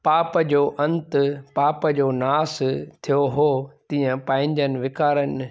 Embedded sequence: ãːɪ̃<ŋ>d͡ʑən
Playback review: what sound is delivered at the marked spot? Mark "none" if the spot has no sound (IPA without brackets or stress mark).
ɲ